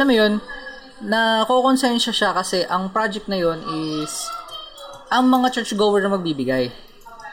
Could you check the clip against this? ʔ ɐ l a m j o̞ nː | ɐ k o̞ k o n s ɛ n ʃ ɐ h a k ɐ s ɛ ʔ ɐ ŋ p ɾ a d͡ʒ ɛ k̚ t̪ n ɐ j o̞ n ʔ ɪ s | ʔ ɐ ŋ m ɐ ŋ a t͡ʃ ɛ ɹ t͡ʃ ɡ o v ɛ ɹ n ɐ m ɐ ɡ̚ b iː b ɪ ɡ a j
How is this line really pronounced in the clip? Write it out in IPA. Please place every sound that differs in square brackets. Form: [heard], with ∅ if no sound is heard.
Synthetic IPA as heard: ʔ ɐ l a m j o̞ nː | ɐ k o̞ k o n s ɛ n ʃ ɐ [ʃ] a k ɐ s ɛ ʔ ɐ ŋ p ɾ a d͡ʒ ɛ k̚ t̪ n ɐ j o̞ n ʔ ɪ s | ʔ ɐ ŋ m ɐ ŋ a t͡ʃ ɛ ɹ t͡ʃ ɡ o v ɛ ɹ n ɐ m ɐ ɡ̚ b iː b ɪ ɡ a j